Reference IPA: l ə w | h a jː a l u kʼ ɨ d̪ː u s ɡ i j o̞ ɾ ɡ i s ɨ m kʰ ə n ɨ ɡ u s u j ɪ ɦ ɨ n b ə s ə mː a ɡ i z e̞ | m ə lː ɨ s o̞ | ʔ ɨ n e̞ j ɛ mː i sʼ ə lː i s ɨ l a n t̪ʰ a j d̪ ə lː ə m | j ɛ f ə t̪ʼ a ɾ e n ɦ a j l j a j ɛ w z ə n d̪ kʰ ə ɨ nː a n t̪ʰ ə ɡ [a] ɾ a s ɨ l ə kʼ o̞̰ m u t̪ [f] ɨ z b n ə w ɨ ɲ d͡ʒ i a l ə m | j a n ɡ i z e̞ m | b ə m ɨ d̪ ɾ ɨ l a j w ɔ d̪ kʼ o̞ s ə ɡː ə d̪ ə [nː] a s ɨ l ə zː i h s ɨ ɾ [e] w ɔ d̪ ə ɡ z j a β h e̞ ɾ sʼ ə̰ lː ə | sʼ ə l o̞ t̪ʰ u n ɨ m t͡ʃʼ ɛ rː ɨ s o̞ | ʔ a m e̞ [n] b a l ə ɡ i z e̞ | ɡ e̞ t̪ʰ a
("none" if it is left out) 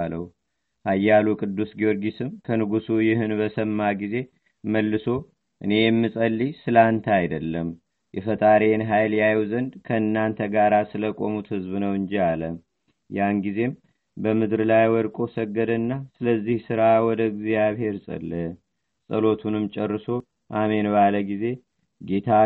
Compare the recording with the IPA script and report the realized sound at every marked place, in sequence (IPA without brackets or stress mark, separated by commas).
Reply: a, h, nː, a, n